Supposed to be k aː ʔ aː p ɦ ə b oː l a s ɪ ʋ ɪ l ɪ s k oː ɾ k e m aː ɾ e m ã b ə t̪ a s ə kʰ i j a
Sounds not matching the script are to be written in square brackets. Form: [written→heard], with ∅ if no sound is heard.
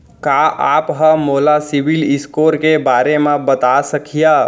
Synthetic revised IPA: k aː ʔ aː p ɦ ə [b→m] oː l a s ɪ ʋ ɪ l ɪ s k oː ɾ k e [m→b] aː ɾ e m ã b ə t̪ a s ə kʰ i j a